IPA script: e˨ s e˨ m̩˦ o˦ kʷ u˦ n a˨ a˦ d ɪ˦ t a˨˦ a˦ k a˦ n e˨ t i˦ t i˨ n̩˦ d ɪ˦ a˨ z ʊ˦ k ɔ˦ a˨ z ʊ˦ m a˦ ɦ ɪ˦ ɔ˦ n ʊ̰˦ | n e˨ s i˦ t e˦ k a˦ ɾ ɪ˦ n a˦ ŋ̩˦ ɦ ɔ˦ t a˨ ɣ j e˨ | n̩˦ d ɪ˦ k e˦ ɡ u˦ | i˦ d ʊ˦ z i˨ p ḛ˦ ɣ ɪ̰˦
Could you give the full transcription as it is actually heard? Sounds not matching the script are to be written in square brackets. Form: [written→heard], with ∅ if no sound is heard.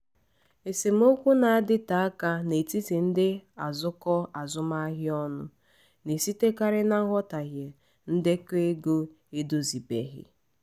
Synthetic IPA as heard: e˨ s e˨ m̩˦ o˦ kʷ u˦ n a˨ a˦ d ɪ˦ t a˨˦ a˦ k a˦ n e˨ t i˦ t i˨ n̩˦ d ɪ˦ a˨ z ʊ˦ k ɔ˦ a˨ z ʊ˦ m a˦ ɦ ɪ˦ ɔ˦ n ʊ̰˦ | n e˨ s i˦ t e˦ k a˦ ɾ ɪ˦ n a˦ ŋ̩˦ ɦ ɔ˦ t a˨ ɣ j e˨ | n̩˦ d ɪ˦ k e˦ ɡ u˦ | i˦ d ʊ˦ z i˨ [p→b] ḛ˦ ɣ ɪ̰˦

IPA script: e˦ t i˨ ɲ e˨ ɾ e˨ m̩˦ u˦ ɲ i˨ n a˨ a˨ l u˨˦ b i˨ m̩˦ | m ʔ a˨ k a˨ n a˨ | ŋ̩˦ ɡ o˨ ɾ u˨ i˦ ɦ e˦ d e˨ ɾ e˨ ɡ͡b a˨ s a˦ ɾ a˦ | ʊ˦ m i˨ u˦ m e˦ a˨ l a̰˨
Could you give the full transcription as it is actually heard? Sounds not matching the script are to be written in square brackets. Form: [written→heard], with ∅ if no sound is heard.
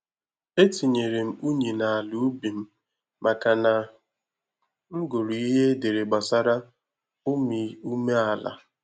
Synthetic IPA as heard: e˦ t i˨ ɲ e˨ ɾ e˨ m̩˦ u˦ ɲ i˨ n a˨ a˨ l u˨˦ b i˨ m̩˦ | m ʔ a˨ k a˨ n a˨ | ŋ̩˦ ɡ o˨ ɾ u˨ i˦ ɦ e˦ d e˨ ɾ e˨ ɡ͡b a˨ s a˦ ɾ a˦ | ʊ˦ m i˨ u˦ m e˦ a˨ l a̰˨

